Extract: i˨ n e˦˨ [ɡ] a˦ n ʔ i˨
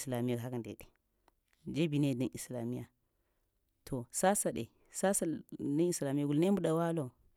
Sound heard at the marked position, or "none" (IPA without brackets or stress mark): d